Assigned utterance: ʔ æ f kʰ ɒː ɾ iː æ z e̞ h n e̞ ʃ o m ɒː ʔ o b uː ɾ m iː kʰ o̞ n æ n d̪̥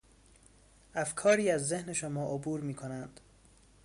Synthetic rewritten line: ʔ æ f kʰ ɒː ɾ iː æ zː e̞ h n e̞ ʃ o m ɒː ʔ o b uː ɾ m iː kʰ o̞ n æ n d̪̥